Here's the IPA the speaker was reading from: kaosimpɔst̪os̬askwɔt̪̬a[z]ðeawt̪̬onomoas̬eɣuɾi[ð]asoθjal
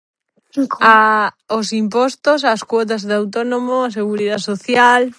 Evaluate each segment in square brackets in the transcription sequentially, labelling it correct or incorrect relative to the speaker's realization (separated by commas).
correct, correct